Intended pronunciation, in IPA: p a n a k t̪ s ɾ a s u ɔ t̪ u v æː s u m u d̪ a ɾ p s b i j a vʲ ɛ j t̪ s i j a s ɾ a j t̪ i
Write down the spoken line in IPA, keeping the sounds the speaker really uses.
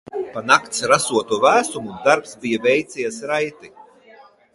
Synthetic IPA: p a n a k t̪ s ɾ a s u ɔ t̪ u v æː s u m u d̪ a ɾ p s b i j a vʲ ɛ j t̪ s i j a s ɾ a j t̪ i

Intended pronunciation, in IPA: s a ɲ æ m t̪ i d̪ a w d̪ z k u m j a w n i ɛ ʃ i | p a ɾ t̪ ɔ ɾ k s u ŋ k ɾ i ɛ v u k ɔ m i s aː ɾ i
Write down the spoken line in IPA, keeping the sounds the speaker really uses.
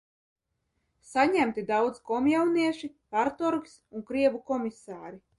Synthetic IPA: s a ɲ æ m t̪ i d̪ a w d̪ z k ɔ m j a w n i ɛ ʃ i | p a ɾ t̪ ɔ ɾ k s u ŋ k ɾ i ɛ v u k ɔ m i s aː ɾ i

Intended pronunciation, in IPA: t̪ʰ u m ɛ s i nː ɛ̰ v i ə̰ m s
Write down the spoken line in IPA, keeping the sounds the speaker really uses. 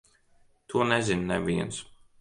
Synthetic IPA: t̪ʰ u n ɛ z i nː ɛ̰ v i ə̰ n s

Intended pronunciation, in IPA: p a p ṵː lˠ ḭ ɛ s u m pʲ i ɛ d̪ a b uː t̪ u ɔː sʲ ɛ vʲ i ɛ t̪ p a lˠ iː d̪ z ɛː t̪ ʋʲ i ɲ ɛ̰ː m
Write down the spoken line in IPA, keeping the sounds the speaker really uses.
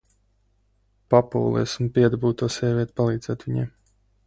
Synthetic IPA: p a p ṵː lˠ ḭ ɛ s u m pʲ i ɛ d̪ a b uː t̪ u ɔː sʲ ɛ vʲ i ɛ t̪ p a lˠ iː d̪ z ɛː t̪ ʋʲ i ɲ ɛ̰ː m

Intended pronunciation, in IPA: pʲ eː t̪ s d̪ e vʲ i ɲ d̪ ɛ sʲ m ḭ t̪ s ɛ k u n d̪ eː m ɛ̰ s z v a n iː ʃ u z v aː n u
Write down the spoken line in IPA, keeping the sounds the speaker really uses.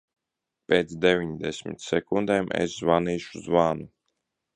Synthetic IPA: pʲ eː t̪ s d̪ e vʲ i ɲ d̪ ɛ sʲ m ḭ t̪ s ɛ k u n d̪ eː m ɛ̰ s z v a n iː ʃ u z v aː n u

